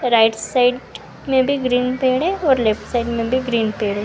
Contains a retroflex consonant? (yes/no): yes